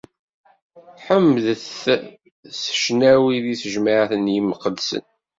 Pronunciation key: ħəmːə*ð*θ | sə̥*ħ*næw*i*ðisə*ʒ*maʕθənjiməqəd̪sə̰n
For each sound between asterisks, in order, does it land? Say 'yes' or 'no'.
yes, no, yes, yes

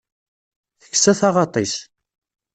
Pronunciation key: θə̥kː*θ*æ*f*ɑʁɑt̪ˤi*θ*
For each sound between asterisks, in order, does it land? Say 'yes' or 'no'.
no, no, no

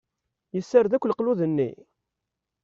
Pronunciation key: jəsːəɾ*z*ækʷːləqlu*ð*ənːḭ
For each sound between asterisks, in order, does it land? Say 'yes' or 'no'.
no, yes

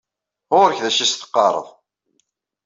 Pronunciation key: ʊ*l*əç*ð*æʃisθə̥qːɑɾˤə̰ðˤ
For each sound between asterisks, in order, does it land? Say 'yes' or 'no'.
no, yes

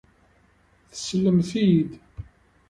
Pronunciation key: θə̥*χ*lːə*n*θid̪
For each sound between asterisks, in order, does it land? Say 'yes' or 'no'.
no, no

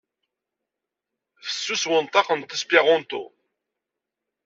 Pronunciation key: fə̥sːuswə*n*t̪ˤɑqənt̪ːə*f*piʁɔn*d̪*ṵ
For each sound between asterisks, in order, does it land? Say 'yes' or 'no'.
yes, no, no

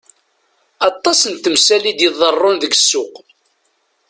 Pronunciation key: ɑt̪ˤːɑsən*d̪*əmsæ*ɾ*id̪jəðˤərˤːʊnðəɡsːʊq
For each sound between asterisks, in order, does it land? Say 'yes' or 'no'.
no, no

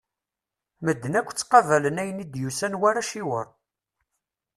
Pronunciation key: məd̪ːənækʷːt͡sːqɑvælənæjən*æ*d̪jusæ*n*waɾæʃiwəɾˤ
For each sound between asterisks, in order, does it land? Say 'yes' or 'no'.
no, yes

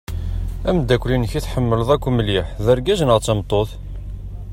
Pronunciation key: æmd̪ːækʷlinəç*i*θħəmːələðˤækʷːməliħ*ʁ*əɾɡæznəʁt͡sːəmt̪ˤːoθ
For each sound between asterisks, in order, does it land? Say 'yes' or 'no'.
yes, no

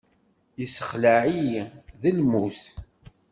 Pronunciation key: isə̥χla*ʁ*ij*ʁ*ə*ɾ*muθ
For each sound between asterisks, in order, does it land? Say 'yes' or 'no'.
no, no, no

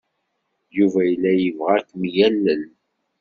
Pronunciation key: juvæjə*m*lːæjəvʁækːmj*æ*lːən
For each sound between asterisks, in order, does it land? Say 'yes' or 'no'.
no, yes

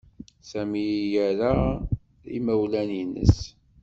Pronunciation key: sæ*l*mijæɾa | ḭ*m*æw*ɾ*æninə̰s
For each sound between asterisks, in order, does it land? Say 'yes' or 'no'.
no, yes, no

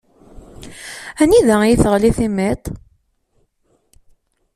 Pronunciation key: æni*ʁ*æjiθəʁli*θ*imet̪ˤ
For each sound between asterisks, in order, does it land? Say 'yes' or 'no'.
no, yes

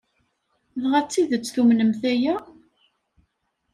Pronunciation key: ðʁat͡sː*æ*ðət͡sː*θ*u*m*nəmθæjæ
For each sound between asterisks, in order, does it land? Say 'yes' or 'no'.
no, yes, yes

